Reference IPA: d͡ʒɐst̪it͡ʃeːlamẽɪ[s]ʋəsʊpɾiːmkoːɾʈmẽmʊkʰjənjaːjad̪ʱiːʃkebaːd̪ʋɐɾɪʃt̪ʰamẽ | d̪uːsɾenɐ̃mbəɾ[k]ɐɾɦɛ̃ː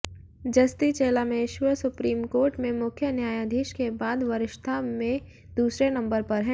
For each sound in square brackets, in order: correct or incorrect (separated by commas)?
incorrect, incorrect